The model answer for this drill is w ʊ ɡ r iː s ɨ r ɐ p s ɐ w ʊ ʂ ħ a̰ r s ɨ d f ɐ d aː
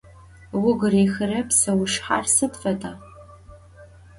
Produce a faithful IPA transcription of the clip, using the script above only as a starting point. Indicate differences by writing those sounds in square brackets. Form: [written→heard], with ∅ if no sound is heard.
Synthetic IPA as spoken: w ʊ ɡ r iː [s→x] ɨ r ɐ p s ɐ w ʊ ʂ ħ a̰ r s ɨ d f ɐ d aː